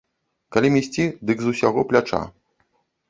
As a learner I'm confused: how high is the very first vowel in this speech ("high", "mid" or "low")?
low